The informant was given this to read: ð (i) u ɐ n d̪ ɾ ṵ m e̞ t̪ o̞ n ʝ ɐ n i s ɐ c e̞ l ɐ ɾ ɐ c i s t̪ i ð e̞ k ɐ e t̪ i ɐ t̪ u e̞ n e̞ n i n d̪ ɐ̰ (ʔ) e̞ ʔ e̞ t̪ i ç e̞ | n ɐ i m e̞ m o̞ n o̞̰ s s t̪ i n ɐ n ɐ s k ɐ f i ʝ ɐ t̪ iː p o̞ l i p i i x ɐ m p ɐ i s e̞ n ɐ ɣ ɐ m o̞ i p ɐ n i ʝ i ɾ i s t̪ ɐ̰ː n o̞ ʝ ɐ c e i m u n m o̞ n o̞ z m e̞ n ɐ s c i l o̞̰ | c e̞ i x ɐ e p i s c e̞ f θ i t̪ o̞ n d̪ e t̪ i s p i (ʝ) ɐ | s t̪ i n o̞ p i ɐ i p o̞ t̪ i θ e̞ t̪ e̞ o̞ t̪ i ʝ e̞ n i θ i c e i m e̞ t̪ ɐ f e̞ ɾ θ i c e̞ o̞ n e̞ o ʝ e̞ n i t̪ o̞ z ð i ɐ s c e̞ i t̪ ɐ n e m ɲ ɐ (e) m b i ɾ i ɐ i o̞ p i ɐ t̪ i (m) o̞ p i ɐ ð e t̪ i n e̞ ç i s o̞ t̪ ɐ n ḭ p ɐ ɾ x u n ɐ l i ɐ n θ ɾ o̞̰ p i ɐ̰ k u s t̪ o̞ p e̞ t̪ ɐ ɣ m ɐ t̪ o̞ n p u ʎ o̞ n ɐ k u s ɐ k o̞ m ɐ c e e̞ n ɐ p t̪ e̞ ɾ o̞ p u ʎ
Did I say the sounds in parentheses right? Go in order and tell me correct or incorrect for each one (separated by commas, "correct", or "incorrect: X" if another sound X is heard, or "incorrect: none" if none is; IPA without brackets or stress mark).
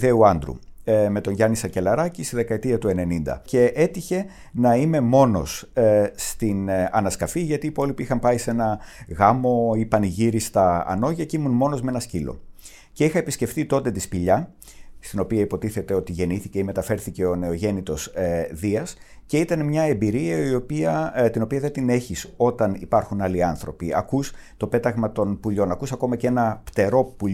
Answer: incorrect: e, incorrect: c, incorrect: ʎ, correct, incorrect: n